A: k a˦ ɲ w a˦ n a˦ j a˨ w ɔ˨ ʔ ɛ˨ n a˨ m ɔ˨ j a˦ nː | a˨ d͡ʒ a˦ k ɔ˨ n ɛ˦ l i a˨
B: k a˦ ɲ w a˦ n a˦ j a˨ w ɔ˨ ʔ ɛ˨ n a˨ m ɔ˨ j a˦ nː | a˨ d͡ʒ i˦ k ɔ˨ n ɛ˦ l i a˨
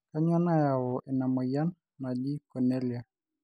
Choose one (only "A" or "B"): B